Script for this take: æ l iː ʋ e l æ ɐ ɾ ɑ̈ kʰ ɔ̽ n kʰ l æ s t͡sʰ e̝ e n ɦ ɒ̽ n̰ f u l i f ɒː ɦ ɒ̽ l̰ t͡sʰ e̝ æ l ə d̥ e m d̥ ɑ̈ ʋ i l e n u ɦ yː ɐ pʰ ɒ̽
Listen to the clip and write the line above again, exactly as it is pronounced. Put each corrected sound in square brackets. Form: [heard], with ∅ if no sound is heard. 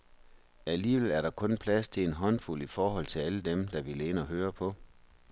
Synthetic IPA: æ l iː ʋ e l æ ɐ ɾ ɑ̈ kʰ ɔ̽ n [pʰ] l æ s t͡sʰ e̝ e n ɦ ɒ̽ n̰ f u l i f ɒː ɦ ɒ̽ l̰ t͡sʰ e̝ æ l ə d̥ e m d̥ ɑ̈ ʋ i l e n [ɒ] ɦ [øː] ɐ pʰ ɒ̽